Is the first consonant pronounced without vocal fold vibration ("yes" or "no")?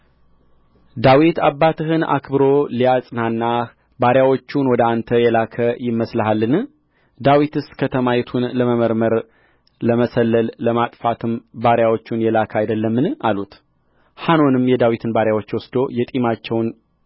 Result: no